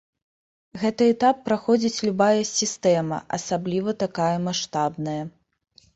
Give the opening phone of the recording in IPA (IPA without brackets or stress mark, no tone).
ɣ